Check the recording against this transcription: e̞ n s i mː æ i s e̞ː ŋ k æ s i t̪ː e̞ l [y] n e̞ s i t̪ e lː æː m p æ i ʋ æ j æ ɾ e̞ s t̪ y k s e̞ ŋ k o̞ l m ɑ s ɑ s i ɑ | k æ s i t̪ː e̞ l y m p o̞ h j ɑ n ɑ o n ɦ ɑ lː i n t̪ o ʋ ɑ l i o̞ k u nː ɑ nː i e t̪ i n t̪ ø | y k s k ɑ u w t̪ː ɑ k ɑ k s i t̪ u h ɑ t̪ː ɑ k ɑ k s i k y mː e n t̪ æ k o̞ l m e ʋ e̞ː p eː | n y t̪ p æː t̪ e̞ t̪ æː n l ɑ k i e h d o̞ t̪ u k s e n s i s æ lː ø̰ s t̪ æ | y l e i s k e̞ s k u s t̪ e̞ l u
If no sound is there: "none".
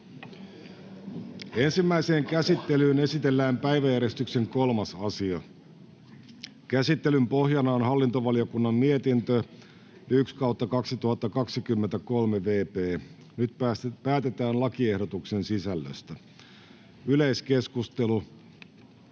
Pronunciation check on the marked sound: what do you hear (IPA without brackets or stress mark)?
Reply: yː